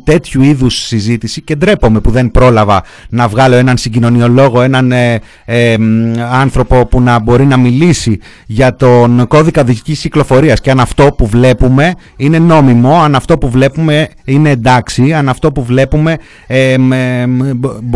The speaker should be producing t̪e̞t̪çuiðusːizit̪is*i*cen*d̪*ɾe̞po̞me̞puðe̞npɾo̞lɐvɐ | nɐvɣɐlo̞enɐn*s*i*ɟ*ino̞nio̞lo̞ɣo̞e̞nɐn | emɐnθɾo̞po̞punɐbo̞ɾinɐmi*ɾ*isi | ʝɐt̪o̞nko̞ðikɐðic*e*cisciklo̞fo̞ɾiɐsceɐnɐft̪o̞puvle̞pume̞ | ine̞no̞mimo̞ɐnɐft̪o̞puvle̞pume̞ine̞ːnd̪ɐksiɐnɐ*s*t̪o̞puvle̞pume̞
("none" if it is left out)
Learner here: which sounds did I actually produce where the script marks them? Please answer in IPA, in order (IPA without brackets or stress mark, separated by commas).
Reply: i, d̪, s, ɟ, l, i, f